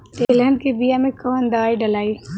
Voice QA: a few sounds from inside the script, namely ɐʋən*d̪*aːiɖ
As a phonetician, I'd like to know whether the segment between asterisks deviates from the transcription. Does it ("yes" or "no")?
no